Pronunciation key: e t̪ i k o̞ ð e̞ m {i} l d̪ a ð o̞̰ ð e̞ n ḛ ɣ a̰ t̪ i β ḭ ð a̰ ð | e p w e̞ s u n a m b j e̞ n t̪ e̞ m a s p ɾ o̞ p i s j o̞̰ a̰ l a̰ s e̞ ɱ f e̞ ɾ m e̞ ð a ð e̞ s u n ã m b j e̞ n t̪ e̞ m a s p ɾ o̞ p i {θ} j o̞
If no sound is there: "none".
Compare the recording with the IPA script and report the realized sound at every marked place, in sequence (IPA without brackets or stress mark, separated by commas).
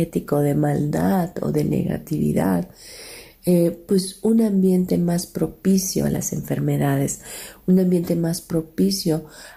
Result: a, s